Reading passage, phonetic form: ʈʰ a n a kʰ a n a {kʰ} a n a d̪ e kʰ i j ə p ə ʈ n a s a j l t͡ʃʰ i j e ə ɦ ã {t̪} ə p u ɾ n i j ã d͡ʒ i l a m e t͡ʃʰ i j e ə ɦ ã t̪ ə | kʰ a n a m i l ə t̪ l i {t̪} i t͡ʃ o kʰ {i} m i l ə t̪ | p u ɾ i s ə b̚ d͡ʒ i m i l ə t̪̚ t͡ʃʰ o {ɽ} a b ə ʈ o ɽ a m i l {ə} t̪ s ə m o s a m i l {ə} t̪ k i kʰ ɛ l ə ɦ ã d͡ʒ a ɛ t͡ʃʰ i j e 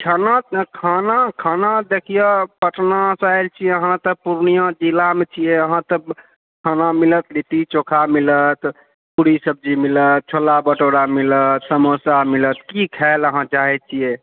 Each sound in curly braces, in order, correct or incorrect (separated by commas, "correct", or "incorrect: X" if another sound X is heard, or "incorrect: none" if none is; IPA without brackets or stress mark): correct, correct, correct, incorrect: a, incorrect: l, correct, correct